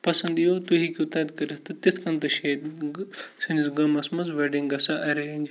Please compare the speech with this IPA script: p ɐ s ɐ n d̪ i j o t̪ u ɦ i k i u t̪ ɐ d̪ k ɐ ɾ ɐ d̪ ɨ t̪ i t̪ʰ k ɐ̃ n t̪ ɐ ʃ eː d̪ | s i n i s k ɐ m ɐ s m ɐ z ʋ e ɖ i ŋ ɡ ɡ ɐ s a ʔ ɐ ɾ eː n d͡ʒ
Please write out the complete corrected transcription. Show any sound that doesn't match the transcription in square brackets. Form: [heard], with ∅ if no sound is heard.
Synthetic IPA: p ɐ s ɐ n d̪ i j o t̪ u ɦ i k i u t̪ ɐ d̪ k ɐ ɾ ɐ [t̪] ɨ t̪ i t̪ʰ k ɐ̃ n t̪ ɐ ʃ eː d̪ | s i n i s [ɡ] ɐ m ɐ s m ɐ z ʋ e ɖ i ŋ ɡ ɡ ɐ s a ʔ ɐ ɾ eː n d͡ʒ